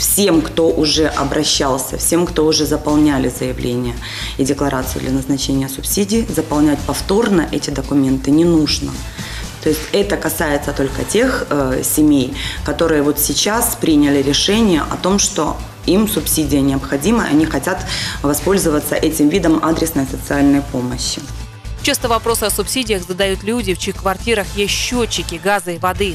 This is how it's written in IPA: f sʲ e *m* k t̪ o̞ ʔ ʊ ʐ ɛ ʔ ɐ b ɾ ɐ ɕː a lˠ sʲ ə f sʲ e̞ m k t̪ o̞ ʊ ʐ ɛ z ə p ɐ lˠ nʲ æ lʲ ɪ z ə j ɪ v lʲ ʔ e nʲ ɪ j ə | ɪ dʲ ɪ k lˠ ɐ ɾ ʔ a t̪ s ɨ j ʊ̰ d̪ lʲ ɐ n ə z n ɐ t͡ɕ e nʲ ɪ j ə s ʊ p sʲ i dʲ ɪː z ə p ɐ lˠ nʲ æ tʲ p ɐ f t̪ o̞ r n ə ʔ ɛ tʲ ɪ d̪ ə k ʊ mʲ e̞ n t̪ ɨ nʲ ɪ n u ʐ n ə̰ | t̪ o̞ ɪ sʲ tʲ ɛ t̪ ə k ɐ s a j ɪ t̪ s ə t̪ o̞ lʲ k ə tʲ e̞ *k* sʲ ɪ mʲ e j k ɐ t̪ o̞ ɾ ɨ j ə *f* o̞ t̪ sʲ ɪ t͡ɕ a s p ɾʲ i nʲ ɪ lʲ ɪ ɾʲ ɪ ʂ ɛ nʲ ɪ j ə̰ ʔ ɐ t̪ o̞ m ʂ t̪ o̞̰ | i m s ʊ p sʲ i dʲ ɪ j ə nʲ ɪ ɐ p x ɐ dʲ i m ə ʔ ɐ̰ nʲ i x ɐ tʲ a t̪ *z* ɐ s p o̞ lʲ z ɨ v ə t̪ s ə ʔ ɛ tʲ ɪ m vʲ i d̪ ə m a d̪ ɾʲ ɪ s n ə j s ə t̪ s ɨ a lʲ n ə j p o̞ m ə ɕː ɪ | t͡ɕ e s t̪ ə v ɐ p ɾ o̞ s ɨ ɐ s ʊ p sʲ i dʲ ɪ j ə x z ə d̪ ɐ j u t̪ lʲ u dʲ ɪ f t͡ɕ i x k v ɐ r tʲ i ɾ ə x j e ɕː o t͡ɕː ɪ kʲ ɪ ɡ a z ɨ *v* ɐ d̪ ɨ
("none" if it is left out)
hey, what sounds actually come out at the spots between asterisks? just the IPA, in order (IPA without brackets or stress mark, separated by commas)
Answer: m, x, v, v, v